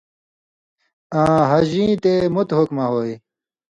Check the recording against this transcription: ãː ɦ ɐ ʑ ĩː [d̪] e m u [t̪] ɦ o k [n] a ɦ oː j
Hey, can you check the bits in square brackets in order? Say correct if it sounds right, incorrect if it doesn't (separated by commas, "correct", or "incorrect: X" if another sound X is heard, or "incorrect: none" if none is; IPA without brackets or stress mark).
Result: incorrect: t̪, correct, incorrect: m